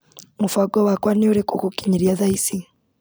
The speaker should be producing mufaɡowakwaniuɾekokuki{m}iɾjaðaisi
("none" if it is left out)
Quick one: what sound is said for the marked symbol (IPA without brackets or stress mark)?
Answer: ɲ